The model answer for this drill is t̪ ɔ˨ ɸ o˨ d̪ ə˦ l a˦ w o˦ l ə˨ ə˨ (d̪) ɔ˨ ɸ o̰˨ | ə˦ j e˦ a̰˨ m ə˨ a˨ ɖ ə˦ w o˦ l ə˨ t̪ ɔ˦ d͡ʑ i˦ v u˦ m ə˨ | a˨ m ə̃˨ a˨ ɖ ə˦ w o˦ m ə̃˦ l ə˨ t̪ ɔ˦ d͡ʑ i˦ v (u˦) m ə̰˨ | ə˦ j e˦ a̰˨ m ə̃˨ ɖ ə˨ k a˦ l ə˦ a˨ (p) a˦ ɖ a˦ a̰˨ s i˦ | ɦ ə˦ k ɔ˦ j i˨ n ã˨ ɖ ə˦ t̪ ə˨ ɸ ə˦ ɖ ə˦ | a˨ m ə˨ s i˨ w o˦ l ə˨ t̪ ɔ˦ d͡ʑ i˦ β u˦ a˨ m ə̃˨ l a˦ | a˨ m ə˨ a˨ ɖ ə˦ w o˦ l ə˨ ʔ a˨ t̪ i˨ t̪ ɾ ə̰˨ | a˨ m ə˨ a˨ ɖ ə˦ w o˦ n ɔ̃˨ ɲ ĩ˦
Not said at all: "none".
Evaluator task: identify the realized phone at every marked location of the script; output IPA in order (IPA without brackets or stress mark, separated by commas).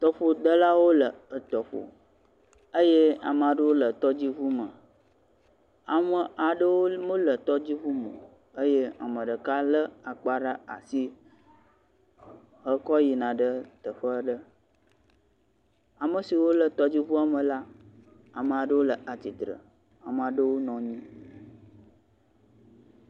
t̪, u˦, k͡p